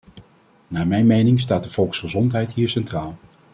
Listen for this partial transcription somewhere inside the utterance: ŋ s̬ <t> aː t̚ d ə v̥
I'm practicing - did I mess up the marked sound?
no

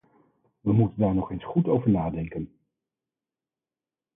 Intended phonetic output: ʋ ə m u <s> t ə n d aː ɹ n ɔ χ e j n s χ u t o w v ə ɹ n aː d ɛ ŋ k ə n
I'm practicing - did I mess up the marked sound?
yes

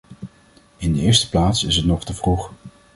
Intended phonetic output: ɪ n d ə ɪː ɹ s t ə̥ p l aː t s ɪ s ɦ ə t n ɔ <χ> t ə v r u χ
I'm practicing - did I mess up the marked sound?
no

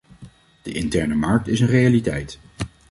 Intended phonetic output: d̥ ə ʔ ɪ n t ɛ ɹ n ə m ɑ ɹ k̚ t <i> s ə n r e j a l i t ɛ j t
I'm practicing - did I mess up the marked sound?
yes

